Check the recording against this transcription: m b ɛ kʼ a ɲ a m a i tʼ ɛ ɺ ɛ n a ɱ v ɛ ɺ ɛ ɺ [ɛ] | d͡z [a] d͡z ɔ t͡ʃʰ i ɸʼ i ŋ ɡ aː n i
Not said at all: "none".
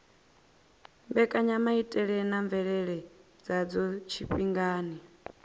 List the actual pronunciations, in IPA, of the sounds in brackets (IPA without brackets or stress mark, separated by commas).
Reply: ɛ, a